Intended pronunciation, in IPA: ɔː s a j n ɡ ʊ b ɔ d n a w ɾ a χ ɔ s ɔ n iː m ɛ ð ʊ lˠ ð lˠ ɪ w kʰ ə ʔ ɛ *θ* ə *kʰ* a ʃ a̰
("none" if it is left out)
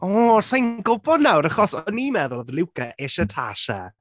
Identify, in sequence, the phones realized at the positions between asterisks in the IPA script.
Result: ʃ, tʰ

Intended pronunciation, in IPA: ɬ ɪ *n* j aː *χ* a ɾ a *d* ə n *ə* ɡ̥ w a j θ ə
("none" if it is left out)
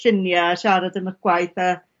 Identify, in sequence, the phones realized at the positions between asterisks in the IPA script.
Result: n, ʃ, d, ə

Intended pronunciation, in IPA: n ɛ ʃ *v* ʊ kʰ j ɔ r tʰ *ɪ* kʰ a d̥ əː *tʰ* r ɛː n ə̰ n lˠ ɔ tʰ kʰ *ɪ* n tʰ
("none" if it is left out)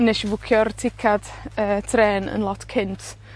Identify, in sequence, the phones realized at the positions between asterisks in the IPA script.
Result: v, ɪ, tʰ, ɪ

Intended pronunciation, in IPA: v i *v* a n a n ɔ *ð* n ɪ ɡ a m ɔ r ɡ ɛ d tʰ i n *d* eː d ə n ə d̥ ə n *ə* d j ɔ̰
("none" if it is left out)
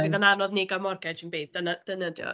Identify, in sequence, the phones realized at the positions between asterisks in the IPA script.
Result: ð, ð, b, ə

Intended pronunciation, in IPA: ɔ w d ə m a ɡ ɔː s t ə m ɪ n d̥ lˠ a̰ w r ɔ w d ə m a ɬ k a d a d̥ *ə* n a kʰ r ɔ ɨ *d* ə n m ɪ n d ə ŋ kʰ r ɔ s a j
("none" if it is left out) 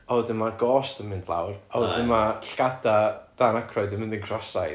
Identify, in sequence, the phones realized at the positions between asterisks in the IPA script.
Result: a, d

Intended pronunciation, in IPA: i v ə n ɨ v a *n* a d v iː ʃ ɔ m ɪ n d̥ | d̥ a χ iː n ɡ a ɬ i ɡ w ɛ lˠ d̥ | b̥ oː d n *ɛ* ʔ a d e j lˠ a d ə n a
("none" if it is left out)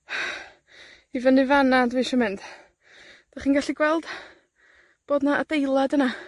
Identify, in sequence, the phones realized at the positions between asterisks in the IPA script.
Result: n, a

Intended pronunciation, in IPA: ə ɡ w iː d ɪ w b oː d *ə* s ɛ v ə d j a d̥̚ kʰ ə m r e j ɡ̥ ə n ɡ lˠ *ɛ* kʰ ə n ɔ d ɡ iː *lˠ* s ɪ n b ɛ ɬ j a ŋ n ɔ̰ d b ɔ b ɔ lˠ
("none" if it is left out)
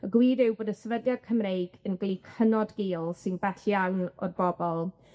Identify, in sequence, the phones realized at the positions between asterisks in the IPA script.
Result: ə, i, lˠ

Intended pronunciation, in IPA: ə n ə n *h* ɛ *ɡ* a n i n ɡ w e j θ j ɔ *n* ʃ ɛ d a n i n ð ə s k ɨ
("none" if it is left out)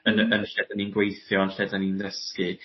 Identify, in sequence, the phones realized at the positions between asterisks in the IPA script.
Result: ʃ, d, n

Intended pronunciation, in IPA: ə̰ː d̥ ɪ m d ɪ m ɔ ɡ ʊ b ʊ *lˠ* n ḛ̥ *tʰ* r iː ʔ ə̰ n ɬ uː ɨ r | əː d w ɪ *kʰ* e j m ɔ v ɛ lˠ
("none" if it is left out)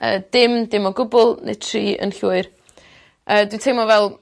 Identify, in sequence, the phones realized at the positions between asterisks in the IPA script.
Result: lˠ, tʰ, tʰ

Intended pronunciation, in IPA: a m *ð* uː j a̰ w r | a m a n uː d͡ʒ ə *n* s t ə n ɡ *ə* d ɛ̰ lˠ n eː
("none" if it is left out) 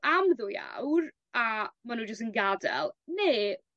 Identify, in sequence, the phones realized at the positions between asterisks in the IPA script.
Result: ð, none, a

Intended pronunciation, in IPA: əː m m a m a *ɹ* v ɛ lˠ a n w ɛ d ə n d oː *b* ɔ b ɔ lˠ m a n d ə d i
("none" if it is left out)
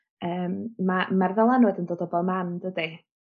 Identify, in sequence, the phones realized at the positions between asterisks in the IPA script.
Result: r, d

